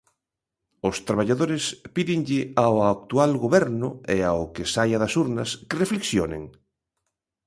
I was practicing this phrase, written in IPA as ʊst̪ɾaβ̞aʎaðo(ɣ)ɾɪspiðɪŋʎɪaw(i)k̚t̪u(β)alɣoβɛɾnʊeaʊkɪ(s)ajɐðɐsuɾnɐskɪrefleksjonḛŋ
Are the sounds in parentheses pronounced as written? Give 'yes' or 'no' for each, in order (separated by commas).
no, no, no, yes